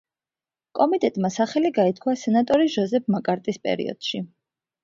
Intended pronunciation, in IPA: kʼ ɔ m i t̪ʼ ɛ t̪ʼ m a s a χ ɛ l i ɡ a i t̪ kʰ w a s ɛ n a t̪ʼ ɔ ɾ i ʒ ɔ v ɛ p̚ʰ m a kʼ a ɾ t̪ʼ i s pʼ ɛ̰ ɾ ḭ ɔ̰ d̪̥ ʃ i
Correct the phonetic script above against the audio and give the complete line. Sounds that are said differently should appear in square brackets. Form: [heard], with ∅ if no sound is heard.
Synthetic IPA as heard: kʼ ɔ m i t̪ʼ ɛ t̪ʼ m a s a χ ɛ l i ɡ a i t̪ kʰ w a s ɛ n a t̪ʼ ɔ ɾ i ʒ ɔ [z] ɛ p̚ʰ m a kʼ a ɾ t̪ʼ i s pʼ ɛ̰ ɾ ḭ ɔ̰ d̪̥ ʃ i